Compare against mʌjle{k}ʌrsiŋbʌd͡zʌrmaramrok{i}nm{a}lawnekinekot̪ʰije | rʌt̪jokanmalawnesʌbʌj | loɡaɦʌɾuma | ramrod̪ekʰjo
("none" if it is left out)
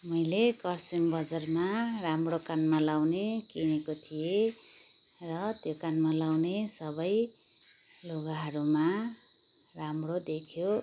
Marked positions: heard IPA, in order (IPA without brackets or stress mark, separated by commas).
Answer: k, a, a